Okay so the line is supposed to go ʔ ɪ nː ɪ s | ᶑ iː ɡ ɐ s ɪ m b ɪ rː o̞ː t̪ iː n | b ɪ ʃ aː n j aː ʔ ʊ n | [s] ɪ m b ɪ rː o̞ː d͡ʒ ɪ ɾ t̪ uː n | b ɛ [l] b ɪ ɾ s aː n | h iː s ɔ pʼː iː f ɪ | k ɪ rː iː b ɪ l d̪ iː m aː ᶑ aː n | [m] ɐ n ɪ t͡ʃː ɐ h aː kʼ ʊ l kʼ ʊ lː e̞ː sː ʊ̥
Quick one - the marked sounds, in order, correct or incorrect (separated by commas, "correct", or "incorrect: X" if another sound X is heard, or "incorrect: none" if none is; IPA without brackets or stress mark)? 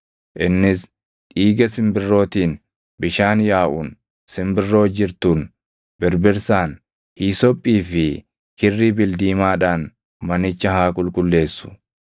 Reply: correct, incorrect: ɾ, correct